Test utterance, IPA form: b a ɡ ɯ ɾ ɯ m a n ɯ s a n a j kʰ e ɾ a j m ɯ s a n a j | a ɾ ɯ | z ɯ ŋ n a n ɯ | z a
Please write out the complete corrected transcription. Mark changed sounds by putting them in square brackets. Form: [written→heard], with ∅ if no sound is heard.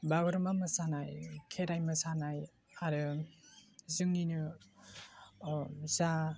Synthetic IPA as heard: b a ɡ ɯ ɾ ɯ m a [n→m] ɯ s a n a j kʰ e ɾ a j m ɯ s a n a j | a ɾ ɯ | z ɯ ŋ n [a→i] n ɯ | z a